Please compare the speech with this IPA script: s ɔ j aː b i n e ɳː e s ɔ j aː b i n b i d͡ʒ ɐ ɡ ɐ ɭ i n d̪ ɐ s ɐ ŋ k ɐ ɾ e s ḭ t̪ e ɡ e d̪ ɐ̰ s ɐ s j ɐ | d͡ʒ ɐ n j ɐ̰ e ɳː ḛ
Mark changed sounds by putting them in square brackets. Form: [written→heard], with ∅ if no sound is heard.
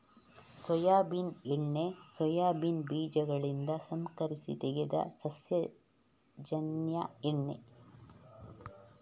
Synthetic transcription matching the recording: s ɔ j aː b i n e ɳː e s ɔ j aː b i n b [i→iː] d͡ʒ ɐ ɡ ɐ ɭ i n d̪ ɐ s ɐ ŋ k ɐ ɾ [e→i] s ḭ t̪ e ɡ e d̪ ɐ̰ s ɐ s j ɐ | d͡ʒ ɐ n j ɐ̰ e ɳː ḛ

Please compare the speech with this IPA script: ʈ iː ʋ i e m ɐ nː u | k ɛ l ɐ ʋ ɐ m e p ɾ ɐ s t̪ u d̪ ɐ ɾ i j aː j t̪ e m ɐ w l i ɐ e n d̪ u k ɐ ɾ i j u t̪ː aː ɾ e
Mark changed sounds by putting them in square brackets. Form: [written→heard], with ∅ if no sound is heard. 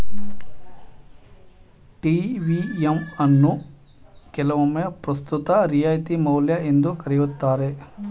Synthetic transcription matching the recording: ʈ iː ʋ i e m ɐ nː u | k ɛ l ɐ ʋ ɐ m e p ɾ ɐ s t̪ u [d̪→t̪] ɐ ɾ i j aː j t̪ [e→i] m ɐ w l [i→j] ɐ e n d̪ u k ɐ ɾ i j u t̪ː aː ɾ e

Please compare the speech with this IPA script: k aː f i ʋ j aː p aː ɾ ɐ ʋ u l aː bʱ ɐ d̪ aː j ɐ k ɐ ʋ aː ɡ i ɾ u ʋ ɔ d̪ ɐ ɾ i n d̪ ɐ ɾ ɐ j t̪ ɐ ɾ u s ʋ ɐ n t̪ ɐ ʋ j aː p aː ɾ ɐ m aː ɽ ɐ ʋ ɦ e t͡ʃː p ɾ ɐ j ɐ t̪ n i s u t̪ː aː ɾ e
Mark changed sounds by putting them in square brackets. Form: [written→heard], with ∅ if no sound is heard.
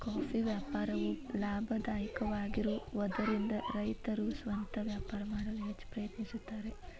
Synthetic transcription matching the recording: k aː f i ʋ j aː p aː ɾ ɐ ʋ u l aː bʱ ɐ d̪ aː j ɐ k ɐ ʋ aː ɡ i ɾ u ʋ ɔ d̪ ɐ ɾ i n d̪ ɐ ɾ ɐ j t̪ ɐ ɾ u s ʋ ɐ n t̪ ɐ ʋ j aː p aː ɾ ɐ m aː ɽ ɐ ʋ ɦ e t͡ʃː p ɾ ɐ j ɐ t̪ n i s u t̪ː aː ɾ e

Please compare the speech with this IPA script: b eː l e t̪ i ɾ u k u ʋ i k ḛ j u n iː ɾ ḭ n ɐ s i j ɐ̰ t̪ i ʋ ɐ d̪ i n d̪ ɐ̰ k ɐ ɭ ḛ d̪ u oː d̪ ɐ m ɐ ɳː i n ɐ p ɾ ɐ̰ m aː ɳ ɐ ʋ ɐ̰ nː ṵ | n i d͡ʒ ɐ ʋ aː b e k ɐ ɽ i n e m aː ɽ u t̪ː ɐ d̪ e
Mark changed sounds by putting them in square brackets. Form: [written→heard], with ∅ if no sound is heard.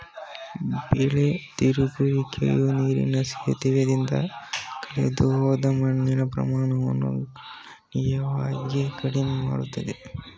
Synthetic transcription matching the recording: b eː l e t̪ i ɾ u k u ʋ i k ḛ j u n iː ɾ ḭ n ɐ s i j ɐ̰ t̪ i ʋ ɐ d̪ i n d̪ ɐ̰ k ɐ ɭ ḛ d̪ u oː d̪ ɐ m ɐ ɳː i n ɐ p ɾ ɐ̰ m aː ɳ ɐ ʋ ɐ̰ nː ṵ | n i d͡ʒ ɐ ʋ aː [b→ɡ] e k ɐ ɽ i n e m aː ɽ u t̪ː ɐ d̪ e

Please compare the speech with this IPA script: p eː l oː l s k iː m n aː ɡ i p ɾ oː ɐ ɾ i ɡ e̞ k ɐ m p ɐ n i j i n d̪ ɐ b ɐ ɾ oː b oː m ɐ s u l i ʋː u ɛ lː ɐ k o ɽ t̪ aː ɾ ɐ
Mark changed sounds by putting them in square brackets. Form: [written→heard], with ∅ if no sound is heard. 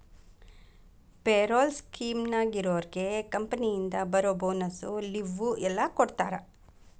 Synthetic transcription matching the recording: p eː [l→ɾ] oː l s k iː m n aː ɡ i [p→∅] ɾ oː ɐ ɾ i ɡ e̞ k ɐ m p ɐ n i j i n d̪ ɐ b ɐ ɾ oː b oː [m→n] ɐ s u l i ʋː u ɛ lː ɐ k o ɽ t̪ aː ɾ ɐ

